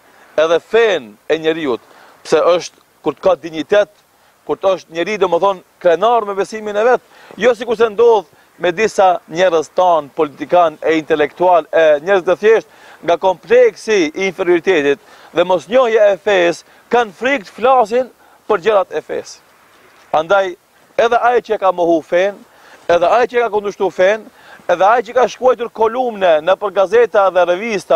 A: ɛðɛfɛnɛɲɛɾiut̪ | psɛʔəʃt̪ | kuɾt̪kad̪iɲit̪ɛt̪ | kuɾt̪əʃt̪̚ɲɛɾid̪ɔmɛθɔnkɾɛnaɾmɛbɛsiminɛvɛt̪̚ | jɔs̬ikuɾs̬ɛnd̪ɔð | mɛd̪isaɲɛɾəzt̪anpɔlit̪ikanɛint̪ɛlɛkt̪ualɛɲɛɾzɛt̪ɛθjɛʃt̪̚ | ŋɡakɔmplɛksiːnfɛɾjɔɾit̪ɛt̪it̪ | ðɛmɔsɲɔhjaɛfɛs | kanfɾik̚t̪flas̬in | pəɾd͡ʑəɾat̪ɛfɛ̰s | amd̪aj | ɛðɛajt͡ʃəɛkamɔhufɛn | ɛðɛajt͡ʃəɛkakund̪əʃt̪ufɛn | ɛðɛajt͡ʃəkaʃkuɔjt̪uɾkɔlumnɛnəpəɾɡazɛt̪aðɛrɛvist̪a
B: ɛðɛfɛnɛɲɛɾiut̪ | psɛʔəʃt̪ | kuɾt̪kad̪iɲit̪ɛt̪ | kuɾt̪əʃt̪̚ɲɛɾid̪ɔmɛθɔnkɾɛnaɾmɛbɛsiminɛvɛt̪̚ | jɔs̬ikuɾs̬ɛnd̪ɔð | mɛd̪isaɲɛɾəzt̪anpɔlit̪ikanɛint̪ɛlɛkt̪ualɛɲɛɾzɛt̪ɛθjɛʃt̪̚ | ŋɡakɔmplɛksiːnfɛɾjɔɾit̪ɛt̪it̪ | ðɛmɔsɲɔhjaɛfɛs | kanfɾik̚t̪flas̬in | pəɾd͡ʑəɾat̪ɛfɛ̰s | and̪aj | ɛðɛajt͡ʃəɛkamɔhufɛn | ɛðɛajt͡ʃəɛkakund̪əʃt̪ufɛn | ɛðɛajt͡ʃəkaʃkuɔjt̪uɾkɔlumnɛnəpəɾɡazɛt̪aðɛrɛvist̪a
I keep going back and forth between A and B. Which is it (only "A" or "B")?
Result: B